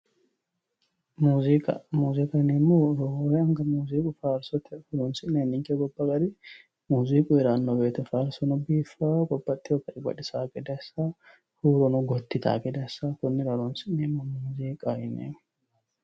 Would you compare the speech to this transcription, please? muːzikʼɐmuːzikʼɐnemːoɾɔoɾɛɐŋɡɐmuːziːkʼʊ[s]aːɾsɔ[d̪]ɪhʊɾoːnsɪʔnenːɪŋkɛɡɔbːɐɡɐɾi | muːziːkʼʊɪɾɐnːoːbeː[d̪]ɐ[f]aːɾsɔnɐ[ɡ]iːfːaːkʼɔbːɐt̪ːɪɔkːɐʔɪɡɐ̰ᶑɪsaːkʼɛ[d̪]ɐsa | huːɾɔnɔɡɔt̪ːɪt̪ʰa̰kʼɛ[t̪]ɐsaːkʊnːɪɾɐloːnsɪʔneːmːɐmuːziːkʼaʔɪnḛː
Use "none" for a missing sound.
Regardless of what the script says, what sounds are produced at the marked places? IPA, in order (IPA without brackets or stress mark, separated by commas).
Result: f, t̪, t̪, f, b, d̪, d̪